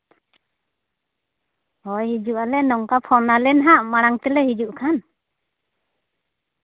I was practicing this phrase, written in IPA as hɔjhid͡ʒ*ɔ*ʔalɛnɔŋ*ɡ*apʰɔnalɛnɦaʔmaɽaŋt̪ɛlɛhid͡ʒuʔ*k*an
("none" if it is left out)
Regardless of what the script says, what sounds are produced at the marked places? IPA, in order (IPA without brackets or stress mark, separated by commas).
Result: u, k, kʰ